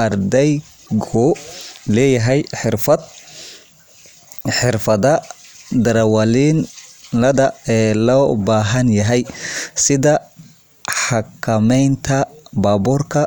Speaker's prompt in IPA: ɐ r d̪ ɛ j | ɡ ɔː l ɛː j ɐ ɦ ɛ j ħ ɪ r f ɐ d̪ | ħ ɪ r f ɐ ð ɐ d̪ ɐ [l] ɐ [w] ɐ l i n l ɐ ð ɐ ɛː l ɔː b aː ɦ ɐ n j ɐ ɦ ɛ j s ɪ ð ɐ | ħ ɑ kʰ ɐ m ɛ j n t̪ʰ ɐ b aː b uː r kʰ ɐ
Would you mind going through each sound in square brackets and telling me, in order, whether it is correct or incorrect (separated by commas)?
incorrect, correct